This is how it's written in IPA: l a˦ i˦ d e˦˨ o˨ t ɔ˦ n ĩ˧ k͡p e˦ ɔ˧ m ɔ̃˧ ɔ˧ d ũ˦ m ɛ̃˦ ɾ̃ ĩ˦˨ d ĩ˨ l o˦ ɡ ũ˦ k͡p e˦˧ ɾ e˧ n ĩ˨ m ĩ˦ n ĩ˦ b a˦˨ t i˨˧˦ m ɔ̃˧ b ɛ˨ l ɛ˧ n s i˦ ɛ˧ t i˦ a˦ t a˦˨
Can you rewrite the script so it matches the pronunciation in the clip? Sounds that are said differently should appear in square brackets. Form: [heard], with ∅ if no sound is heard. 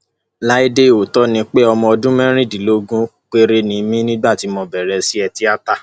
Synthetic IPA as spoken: l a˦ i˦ d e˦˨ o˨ t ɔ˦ n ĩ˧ k͡p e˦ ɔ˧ m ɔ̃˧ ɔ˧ d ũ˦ m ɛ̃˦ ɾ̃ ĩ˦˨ d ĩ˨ l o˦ ɡ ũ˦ k͡p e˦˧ ɾ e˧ n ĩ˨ m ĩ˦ n ĩ˦ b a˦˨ t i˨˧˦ m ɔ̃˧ b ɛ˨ [ɾ] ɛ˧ [∅] s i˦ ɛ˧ t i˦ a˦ t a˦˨